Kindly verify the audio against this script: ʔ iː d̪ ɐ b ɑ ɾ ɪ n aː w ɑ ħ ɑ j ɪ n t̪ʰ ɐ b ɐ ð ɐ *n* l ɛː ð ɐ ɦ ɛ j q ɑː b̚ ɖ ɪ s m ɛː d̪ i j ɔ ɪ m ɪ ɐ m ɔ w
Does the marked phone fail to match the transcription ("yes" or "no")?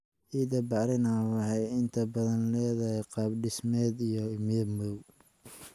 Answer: no